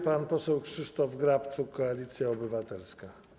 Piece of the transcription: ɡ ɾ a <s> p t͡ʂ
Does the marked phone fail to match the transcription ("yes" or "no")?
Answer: yes